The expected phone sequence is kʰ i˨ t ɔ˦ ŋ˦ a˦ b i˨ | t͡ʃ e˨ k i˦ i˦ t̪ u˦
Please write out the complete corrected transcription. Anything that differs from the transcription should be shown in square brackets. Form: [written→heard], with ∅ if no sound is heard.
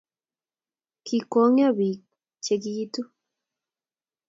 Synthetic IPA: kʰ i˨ [t→k] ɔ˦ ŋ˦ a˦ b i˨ | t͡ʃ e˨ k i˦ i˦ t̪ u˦